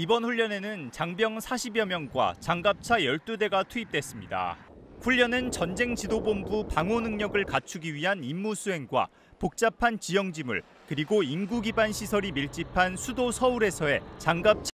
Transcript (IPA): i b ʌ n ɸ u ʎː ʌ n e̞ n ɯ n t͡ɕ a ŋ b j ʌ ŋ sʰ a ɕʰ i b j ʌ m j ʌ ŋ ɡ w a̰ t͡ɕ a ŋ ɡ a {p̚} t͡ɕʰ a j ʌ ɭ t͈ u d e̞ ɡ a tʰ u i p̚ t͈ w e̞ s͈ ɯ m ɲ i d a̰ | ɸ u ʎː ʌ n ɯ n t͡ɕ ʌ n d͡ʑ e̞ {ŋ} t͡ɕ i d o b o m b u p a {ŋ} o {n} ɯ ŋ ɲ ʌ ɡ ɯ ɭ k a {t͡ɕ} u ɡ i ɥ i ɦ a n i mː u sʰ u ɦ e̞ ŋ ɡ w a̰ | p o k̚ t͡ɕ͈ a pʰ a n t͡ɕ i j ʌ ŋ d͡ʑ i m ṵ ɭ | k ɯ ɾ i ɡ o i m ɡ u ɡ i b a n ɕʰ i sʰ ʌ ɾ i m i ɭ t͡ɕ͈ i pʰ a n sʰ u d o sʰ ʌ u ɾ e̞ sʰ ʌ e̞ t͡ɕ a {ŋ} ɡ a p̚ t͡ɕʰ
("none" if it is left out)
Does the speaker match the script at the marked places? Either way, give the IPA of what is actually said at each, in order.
p̚, ŋ, ŋ, n, t͡ɕʰ, ŋ

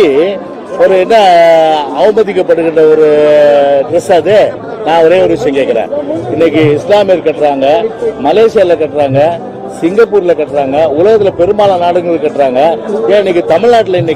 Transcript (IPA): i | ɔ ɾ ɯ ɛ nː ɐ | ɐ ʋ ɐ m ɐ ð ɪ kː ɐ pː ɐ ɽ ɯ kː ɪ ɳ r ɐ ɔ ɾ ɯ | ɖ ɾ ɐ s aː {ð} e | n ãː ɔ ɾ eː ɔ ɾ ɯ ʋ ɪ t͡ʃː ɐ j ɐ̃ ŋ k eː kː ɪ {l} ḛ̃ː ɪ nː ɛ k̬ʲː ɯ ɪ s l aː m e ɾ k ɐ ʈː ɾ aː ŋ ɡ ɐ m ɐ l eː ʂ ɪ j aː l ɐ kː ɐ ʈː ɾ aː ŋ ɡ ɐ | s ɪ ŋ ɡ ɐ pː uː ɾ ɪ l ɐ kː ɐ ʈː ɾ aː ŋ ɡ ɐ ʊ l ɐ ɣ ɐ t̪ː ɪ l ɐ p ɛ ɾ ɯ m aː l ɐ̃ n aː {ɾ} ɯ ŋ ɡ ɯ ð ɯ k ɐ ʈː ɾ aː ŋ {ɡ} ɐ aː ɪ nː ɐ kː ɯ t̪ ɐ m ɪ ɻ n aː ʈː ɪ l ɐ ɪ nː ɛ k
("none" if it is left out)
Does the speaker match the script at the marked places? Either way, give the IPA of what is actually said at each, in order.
ð, ɾ, ɽ, ɡ

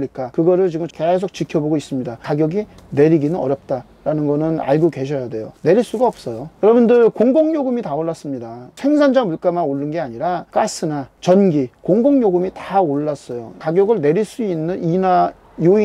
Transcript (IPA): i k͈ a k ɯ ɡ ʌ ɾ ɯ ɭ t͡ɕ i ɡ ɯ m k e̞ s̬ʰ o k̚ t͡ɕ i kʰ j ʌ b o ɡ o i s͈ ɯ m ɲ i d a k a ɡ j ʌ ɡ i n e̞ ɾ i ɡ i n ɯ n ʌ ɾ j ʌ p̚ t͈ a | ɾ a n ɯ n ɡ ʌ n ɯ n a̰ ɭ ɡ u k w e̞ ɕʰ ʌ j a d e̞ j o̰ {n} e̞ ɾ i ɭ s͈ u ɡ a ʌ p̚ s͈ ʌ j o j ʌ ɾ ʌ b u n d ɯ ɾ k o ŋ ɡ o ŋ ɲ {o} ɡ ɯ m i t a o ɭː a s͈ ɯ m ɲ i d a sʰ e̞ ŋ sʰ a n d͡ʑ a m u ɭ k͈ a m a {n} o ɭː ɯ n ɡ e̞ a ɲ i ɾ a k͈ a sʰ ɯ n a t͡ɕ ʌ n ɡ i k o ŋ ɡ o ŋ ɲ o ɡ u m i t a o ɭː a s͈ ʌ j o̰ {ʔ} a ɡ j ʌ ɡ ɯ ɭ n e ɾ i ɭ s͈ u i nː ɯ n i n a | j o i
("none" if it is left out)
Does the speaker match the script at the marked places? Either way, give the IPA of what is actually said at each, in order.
n, o, n, k

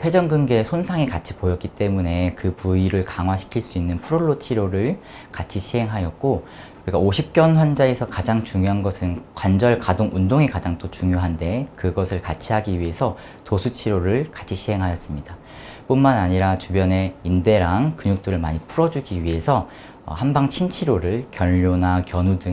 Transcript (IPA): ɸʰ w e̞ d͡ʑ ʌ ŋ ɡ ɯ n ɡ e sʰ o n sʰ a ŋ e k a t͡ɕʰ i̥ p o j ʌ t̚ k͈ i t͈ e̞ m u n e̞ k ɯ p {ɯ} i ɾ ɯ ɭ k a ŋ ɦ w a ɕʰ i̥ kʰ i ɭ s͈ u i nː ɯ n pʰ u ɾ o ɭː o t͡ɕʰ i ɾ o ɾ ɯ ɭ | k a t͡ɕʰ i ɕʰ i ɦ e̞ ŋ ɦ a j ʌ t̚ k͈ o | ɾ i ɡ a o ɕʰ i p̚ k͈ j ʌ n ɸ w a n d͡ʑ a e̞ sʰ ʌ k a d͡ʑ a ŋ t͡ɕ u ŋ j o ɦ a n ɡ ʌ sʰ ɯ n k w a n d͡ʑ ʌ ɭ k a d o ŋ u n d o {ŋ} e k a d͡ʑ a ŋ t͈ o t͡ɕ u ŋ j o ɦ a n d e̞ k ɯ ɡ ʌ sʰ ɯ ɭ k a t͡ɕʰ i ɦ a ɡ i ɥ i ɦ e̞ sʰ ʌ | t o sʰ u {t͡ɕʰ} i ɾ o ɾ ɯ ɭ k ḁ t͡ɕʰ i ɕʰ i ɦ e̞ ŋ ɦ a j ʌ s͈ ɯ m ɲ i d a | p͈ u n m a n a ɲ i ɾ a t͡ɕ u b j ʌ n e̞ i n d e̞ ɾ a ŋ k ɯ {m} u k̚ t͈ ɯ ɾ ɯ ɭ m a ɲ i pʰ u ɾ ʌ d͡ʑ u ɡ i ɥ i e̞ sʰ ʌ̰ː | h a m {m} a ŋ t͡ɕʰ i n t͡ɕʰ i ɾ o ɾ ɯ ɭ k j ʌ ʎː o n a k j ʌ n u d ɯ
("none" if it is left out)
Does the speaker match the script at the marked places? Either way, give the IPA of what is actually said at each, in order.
u, ŋ, t͡ɕʰ, ɲ, b

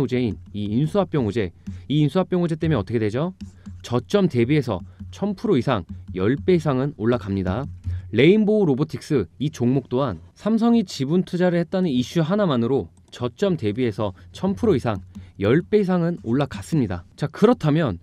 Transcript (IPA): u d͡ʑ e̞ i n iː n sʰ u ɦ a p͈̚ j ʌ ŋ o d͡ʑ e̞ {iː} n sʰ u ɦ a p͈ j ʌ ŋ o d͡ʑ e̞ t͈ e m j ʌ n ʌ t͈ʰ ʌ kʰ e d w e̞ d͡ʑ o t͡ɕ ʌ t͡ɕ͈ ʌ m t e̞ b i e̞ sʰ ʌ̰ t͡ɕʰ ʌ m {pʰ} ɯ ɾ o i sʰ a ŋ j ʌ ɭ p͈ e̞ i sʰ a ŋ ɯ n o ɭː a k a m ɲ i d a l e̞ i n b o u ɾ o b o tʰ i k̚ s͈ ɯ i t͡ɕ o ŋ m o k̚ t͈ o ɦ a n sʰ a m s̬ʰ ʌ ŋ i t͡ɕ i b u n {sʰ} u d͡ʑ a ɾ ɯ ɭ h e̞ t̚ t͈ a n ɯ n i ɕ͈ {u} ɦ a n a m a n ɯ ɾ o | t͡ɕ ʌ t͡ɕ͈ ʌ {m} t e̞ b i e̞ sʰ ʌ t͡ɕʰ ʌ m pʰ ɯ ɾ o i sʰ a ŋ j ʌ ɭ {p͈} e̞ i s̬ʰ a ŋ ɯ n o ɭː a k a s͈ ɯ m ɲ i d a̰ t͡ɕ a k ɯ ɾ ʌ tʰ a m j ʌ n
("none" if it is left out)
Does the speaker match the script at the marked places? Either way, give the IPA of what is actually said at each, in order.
iː, pʰ, tʰ, u, m, p͈

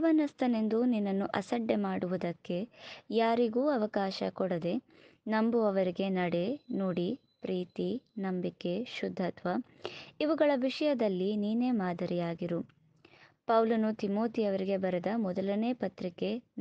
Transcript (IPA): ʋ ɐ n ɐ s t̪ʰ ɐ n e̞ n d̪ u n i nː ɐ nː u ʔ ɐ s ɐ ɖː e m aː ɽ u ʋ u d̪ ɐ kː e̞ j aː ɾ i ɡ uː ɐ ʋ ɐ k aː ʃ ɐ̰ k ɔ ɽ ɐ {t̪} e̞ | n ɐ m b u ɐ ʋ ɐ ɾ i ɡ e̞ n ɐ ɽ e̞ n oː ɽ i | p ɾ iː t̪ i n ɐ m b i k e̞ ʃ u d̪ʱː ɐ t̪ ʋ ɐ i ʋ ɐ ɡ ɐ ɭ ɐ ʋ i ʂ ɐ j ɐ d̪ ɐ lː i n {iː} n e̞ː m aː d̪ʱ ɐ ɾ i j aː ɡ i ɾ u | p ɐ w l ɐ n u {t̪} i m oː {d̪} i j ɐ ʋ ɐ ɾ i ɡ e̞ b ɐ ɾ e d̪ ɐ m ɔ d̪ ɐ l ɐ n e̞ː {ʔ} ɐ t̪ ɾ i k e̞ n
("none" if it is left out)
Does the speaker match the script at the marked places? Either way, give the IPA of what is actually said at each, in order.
d̪, iː, t̪, t̪, p

